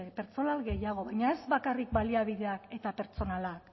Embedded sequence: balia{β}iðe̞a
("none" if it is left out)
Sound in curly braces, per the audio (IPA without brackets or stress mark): β